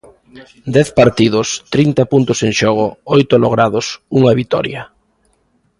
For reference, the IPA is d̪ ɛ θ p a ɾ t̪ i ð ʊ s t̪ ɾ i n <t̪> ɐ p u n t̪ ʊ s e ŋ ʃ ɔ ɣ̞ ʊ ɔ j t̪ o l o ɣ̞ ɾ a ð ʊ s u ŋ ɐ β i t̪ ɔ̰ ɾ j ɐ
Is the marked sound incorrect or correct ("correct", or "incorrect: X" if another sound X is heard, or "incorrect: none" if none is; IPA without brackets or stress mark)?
correct